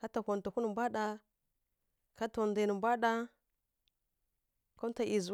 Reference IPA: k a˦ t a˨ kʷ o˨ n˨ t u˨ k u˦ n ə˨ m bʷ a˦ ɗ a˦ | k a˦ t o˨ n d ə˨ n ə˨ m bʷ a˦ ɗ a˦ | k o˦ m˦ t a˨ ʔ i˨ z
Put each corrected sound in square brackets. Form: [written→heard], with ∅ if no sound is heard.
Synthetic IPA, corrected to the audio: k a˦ t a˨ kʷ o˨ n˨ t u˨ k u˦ n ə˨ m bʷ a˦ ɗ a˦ | k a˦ t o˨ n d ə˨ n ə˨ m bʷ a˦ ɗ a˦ | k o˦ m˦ t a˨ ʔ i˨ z